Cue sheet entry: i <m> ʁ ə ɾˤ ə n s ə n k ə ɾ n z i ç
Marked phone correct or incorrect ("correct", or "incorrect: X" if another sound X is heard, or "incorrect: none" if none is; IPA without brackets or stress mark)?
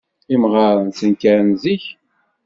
correct